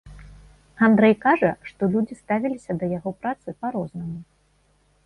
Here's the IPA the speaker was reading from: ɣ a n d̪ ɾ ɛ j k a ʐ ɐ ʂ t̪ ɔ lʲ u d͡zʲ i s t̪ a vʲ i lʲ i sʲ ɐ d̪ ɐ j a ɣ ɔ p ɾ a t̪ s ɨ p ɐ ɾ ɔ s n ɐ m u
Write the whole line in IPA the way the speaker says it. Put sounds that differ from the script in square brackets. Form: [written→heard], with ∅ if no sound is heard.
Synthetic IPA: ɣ a n d̪ ɾ ɛ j k a ʐ ɐ ʂ t̪ ɔ lʲ u d͡zʲ i s t̪ a vʲ i lʲ i sʲ ɐ d̪ ɐ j a ɣ ɔ p ɾ a t̪ s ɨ p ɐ ɾ ɔ [s→z] n ɐ m u

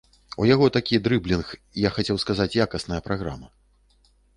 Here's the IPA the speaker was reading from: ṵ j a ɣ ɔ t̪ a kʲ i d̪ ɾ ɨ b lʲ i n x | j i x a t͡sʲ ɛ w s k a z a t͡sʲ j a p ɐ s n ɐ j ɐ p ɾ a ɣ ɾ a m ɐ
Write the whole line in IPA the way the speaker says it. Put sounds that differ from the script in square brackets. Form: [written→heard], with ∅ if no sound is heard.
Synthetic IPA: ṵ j a ɣ ɔ t̪ a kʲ i d̪ ɾ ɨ b lʲ i n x | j [i→a] x a t͡sʲ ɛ w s k a z a t͡sʲ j a [p→k] ɐ s n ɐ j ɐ p ɾ a ɣ ɾ a m ɐ

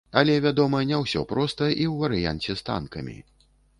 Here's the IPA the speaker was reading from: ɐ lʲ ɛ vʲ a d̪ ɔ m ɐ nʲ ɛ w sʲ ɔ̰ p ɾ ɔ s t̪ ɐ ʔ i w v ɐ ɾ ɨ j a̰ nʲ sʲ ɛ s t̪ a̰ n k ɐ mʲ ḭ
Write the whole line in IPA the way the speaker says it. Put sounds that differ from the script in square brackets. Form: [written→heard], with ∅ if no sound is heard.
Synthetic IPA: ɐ lʲ ɛ vʲ a d̪ ɔ m ɐ nʲ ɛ w sʲ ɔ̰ p ɾ ɔ s t̪ ɐ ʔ i w v ɐ ɾ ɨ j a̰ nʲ [sʲ→t͡sʲ] ɛ s t̪ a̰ n k ɐ mʲ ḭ

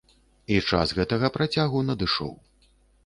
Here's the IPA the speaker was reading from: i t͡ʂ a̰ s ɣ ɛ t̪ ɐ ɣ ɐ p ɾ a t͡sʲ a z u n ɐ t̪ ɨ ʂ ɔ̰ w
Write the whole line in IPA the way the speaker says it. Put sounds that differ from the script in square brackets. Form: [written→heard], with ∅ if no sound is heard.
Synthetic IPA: i t͡ʂ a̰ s ɣ ɛ t̪ ɐ ɣ ɐ p ɾ a t͡sʲ a [z→ɣ] u n ɐ [t̪→d̪] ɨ ʂ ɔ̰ w

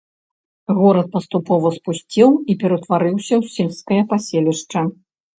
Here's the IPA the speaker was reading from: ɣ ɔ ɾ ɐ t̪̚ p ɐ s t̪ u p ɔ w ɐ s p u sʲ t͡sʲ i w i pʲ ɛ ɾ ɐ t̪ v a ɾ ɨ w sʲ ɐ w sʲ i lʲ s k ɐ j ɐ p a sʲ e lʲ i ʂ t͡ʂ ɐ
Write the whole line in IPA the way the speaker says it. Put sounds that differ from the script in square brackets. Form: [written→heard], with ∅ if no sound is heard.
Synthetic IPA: ɣ ɔ ɾ ɐ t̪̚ p ɐ s t̪ u p ɔ [w→v] ɐ s p u sʲ t͡sʲ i w i pʲ ɛ ɾ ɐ t̪ v a ɾ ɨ w sʲ ɐ w sʲ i lʲ s k ɐ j ɐ p a sʲ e lʲ i ʂ t͡ʂ ɐ

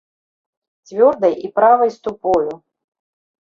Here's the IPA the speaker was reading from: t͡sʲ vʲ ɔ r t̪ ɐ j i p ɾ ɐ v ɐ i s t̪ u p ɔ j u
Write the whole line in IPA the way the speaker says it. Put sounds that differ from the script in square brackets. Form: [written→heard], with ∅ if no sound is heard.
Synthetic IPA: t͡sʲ vʲ ɔ r [t̪→d̪] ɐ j i p ɾ [ɐ→a] v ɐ [i→j] s t̪ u p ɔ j u

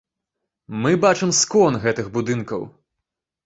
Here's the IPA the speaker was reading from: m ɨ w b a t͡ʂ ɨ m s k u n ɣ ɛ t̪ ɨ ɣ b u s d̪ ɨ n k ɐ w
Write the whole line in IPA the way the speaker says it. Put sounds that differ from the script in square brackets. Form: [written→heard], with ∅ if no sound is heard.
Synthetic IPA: m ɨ [w→∅] b a t͡ʂ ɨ m s k [u→ɔ] n ɣ ɛ t̪ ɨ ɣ b u [s→∅] d̪ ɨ n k ɐ w

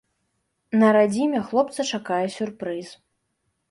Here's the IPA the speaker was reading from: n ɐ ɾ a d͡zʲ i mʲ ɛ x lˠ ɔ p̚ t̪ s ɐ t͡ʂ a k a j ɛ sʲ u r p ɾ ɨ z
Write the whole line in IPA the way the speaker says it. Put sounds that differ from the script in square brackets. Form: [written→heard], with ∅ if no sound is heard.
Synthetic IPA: n ɐ ɾ a d͡zʲ i mʲ ɛ x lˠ ɔ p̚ t̪ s ɐ t͡ʂ a k a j ɛ sʲ u r p ɾ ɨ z

